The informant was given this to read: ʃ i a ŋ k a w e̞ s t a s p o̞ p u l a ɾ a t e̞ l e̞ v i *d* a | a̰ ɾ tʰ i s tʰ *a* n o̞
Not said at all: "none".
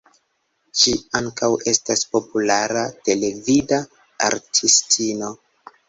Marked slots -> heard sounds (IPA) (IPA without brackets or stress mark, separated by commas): d, i